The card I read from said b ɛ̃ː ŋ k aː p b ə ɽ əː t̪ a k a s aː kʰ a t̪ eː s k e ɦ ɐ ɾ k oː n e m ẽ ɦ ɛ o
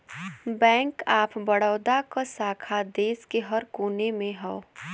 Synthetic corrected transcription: b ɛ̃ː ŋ k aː p b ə ɽ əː d̪ a k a s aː kʰ a d̪ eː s k e ɦ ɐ ɾ k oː n e m ẽ ɦ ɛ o